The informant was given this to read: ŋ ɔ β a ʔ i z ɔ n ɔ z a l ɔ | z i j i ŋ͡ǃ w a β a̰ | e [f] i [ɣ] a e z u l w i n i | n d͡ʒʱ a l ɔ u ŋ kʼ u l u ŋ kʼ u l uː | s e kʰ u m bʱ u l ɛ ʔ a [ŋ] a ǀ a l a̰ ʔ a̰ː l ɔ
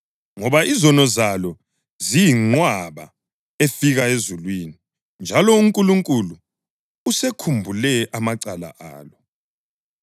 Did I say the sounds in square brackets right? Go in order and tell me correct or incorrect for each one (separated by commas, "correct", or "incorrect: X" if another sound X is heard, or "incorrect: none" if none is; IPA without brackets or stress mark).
correct, correct, incorrect: m